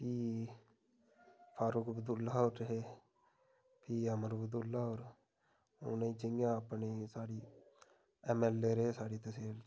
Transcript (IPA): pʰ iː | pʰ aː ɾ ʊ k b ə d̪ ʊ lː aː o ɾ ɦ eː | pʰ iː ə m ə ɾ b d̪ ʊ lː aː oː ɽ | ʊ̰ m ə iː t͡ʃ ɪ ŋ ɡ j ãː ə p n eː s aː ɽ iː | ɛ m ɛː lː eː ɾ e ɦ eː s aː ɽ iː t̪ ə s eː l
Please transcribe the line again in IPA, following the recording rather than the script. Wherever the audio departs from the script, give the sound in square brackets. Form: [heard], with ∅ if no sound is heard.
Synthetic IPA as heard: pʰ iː | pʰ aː ɾ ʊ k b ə d̪ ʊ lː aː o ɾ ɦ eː | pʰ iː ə m ə ɾ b d̪ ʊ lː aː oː [ɾ] | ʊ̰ [n] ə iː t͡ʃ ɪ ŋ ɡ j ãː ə p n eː s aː ɽ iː | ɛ m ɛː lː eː ɾ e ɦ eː s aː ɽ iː t̪ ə s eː l